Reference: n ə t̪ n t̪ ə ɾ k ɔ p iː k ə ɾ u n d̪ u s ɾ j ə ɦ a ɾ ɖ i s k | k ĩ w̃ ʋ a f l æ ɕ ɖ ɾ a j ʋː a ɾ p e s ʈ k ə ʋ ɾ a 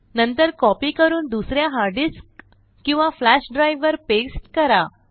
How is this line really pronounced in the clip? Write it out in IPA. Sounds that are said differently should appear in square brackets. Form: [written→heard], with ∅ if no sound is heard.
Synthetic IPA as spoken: n ə [t̪→∅] n t̪ ə ɾ k ɔ p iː k ə ɾ [u→uː] n d̪ u s ɾ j [ə→a] ɦ a ɾ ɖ i s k | k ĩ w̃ ʋ a f l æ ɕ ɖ ɾ a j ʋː [a→ə] ɾ p e s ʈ k ə [ʋ→∅] ɾ a